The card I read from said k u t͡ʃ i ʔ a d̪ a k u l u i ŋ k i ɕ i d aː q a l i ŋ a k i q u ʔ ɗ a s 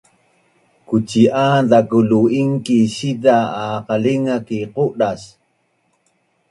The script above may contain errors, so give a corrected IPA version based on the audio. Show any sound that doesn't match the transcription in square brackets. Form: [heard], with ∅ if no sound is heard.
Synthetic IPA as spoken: k u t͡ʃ i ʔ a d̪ a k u l u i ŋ k i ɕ i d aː q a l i ŋ a k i q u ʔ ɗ a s